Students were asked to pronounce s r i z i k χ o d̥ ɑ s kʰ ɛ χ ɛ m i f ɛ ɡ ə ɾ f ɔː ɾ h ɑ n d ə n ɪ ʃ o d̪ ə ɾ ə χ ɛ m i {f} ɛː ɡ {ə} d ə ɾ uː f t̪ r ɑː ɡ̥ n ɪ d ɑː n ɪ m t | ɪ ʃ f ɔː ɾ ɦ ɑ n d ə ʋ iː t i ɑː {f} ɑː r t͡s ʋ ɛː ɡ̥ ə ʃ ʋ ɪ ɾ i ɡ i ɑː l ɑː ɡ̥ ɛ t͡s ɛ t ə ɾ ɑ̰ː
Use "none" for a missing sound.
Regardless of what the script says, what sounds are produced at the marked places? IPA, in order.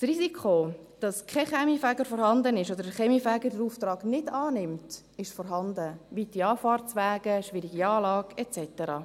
f, ə, f

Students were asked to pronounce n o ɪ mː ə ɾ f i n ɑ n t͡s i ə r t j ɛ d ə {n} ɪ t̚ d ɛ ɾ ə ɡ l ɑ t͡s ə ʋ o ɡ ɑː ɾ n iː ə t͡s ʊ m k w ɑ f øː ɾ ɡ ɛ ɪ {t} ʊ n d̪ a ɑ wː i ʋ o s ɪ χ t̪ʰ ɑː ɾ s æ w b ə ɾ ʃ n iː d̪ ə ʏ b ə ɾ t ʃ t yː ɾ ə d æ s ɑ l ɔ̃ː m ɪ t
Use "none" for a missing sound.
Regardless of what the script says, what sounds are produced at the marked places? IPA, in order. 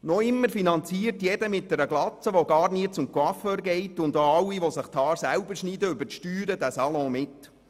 m, t

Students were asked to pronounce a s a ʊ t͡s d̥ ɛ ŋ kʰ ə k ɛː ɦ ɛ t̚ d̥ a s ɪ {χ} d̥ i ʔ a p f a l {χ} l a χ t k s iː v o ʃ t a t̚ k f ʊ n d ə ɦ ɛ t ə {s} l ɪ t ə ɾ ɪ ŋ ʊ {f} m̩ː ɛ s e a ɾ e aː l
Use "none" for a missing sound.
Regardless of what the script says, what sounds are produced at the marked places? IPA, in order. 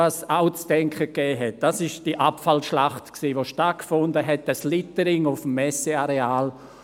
ʃ, ʃ, s, f

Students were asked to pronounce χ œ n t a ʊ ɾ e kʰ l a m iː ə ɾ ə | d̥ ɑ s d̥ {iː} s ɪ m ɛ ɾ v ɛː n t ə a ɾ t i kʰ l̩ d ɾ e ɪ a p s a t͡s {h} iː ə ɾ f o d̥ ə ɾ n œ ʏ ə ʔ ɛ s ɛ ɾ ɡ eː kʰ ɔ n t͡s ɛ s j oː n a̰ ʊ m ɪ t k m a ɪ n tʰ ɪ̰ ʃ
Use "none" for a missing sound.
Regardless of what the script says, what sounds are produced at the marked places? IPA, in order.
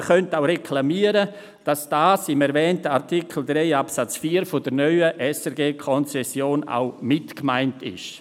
aː, f

